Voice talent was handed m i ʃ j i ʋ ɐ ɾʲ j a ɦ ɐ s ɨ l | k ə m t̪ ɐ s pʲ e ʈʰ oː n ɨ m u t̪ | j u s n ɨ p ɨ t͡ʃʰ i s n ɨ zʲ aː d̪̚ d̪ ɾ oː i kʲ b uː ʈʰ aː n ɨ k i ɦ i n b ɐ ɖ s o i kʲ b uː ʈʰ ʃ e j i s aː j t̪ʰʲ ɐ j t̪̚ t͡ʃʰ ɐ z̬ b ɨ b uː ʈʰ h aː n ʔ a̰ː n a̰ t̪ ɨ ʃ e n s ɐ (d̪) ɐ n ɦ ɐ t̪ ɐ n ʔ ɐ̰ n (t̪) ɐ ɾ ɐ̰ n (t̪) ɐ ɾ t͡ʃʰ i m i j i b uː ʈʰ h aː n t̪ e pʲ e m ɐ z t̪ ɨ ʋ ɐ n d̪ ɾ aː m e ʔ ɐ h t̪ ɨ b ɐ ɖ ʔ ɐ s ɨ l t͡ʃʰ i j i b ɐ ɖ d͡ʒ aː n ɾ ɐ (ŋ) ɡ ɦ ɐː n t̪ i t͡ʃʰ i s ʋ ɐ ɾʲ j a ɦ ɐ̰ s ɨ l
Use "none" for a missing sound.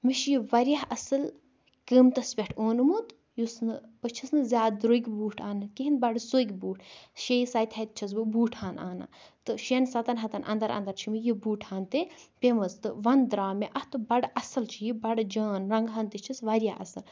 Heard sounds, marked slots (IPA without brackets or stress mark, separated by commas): t̪, d̪, d̪, ŋ